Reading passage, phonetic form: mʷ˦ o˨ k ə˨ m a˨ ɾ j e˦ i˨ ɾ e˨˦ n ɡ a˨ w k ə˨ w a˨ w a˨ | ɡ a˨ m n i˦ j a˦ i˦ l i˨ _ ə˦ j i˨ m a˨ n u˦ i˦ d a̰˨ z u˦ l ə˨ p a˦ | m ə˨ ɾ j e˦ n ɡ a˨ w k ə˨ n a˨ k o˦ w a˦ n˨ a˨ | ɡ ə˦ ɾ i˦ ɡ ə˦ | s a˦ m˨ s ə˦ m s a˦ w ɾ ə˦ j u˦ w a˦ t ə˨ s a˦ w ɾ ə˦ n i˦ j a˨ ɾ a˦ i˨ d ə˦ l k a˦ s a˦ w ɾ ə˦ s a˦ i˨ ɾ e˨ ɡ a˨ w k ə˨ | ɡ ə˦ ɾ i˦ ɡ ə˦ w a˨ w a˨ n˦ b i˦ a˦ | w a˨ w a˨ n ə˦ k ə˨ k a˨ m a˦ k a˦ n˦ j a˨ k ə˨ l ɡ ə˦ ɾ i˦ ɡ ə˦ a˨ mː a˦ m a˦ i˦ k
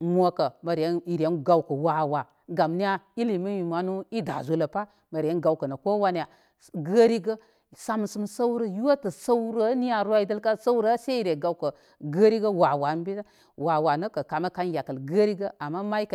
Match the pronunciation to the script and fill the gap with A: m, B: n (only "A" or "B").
A